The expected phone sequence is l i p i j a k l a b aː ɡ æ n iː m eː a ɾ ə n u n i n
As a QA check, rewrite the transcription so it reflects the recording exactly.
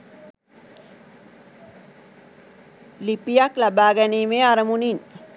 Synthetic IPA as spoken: l i p i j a k l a b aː ɡ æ n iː m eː a ɾ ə m u n i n